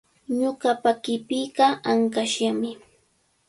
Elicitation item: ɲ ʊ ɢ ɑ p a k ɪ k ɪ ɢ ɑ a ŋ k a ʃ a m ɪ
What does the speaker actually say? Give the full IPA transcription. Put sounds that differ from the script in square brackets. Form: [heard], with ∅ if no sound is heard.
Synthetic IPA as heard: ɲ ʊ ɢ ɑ p a k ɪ [p] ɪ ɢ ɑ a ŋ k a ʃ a m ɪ